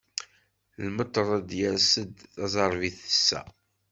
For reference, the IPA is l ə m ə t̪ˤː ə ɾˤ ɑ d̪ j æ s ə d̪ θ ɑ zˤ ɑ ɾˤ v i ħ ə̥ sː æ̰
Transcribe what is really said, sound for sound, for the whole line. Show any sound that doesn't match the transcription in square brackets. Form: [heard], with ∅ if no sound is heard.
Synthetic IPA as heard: l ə m ə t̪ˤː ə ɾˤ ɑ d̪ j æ s ə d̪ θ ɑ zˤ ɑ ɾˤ v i [θ] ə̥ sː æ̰